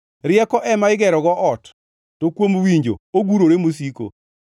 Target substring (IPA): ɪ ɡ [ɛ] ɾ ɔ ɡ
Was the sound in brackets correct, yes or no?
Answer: yes